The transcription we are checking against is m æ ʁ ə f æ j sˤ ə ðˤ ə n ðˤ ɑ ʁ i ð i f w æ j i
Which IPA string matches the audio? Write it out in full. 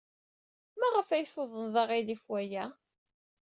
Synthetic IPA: m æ ʁ ə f æ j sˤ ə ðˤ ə n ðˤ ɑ ʁ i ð i f w æ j æ